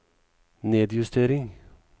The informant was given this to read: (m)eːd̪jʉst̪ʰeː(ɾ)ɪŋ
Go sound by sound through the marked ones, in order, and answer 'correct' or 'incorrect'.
incorrect, correct

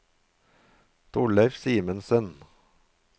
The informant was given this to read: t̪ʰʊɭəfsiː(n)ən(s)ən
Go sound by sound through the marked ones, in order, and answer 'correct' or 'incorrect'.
incorrect, correct

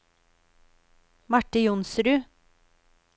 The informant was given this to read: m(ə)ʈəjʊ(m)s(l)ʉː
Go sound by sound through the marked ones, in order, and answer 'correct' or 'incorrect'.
incorrect, incorrect, incorrect

